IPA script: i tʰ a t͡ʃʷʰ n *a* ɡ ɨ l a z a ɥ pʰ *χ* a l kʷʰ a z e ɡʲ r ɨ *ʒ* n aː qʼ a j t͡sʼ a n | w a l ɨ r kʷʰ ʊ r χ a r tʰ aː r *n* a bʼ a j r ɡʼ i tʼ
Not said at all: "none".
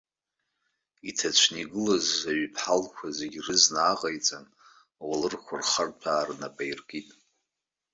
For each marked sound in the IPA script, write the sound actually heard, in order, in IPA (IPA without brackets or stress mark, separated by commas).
i, ħ, z, n